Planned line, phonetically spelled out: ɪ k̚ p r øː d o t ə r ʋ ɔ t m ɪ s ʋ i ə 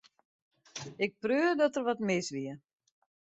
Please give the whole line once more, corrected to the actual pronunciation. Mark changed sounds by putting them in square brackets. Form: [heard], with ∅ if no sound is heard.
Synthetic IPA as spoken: ɪ k̚ p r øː d [ɔ] t ə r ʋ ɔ t m ɪ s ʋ i ə